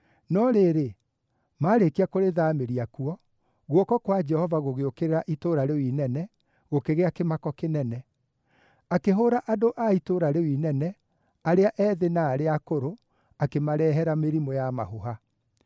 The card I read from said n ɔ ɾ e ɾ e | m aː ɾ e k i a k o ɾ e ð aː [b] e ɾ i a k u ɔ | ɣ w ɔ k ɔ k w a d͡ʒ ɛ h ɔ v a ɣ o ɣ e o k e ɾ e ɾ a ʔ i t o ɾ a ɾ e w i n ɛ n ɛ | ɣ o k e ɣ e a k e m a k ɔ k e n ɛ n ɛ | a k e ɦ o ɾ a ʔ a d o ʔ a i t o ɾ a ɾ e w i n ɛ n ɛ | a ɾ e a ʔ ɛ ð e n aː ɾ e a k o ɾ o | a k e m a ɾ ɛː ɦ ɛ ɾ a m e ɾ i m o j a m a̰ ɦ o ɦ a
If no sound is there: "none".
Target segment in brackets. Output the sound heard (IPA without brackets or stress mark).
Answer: m